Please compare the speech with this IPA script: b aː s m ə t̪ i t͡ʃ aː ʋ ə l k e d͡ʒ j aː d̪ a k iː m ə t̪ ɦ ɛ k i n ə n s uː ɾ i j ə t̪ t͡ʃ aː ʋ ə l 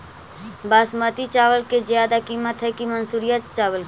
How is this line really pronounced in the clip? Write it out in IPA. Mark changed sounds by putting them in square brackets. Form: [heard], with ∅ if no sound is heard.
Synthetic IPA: b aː s m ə t̪ i t͡ʃ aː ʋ ə l k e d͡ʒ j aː d̪ a k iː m ə t̪ ɦ ɛ k i [m] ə n s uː ɾ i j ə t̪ t͡ʃ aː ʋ ə l